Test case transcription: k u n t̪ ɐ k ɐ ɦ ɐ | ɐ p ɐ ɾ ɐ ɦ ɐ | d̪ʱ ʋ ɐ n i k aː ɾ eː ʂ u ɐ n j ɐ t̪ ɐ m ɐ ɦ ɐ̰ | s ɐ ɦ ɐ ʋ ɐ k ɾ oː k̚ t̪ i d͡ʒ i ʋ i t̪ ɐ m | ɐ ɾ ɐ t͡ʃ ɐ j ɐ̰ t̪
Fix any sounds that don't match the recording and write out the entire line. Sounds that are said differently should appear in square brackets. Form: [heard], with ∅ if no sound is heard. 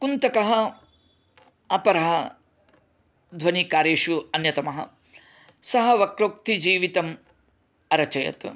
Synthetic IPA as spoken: k u n t̪ ɐ k ɐ ɦ ɐ | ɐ p ɐ ɾ ɐ ɦ ɐ | d̪ʱ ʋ ɐ n i k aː ɾ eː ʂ u ɐ n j ɐ t̪ ɐ m ɐ ɦ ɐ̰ | s ɐ ɦ ɐ ʋ ɐ k ɾ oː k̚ t̪ i d͡ʒ [iː] ʋ i t̪ ɐ m | ɐ ɾ ɐ t͡ʃ ɐ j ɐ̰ t̪